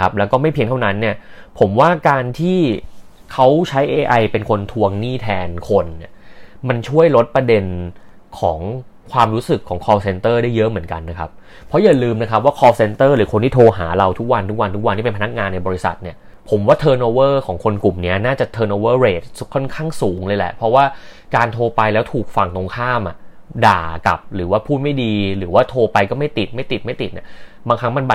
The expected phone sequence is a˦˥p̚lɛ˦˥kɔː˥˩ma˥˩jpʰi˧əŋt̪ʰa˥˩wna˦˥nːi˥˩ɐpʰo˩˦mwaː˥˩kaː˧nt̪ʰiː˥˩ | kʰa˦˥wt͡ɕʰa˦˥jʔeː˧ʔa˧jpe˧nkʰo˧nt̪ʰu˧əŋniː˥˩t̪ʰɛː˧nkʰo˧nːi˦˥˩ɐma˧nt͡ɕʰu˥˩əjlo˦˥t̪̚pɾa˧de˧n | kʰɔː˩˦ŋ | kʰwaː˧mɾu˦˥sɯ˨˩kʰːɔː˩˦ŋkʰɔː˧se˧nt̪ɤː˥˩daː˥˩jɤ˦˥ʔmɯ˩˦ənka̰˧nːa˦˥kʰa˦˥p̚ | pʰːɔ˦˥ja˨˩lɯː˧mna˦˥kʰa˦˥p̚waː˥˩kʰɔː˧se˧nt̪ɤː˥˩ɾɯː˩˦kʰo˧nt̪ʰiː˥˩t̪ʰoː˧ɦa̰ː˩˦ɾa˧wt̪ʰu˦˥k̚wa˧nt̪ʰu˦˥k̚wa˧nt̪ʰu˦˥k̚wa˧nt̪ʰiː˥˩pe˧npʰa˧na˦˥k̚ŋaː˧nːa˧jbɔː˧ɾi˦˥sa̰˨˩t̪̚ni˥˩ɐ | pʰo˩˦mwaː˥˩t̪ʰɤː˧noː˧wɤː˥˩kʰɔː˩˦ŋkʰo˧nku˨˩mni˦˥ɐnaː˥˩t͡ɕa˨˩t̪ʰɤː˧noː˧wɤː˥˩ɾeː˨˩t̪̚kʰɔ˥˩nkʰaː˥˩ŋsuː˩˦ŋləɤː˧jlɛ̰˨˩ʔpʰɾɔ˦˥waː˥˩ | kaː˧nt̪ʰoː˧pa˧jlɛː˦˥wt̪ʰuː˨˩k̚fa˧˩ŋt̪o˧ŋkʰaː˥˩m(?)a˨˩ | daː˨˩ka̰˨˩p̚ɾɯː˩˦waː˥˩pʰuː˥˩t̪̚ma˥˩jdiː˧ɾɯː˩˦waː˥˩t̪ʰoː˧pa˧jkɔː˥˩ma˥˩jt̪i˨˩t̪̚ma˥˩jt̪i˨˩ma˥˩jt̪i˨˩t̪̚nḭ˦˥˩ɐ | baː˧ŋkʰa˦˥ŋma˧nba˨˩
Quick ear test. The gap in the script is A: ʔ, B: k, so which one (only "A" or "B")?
A